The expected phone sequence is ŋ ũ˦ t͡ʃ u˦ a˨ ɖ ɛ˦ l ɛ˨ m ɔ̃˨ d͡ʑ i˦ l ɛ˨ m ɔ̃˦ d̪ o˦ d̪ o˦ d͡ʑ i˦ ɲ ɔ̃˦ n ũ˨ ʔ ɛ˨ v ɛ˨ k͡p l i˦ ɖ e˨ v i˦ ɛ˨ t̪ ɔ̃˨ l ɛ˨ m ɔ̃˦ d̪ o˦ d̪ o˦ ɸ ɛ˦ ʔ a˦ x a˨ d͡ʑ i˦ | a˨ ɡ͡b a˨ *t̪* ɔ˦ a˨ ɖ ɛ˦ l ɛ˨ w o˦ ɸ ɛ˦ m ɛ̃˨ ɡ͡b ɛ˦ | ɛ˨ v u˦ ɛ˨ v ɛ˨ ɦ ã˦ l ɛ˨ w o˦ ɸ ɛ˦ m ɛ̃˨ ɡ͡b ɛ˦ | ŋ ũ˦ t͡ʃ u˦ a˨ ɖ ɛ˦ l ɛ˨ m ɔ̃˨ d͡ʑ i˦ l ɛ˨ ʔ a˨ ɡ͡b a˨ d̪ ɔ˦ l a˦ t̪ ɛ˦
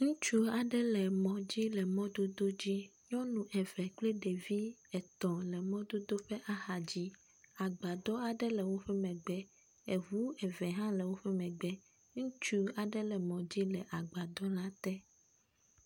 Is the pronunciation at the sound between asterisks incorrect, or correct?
incorrect